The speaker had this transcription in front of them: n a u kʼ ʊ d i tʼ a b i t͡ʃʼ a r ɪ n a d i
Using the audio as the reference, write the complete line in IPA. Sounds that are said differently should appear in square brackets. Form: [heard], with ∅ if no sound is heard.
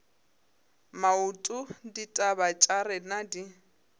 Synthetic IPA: [m] a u [tʼ] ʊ d i tʼ a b [a] t͡ʃʼ a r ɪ n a d i